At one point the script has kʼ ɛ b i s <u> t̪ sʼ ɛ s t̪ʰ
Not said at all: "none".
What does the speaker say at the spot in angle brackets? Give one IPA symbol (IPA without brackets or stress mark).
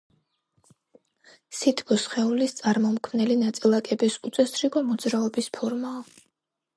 u